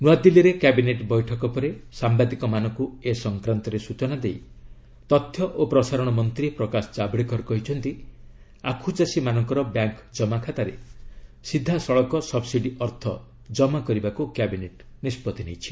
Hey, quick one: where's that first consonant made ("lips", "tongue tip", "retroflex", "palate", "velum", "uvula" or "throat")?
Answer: tongue tip